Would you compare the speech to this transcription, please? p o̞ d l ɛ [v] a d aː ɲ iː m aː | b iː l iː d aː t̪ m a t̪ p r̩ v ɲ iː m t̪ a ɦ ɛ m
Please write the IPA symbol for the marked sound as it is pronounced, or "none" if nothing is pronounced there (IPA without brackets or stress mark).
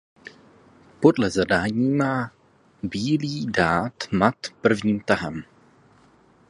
z